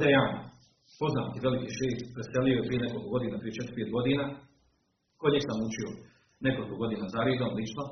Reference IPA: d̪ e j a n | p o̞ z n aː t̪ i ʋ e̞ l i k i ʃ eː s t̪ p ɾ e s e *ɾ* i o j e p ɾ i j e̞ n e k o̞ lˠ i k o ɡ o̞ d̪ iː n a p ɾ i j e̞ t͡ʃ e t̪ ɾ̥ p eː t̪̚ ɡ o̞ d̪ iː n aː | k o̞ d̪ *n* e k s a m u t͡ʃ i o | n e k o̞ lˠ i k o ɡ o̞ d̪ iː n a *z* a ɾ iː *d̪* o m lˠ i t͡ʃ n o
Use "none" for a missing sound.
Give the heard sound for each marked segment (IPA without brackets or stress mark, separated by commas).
l, ɲ, z, d̪